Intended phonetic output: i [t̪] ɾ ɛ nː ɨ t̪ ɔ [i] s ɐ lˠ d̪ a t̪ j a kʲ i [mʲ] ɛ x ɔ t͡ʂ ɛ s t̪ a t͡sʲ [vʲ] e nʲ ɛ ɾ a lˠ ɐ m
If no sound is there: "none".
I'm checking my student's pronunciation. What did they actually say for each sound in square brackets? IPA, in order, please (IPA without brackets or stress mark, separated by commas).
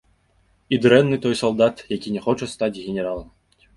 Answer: d̪, j, nʲ, ɣʲ